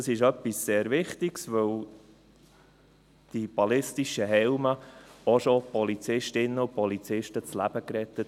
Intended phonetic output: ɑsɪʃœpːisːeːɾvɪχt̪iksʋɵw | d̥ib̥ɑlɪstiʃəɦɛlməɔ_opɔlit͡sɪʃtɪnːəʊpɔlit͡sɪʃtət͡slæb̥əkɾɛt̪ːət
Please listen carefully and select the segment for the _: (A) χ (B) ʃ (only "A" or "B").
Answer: B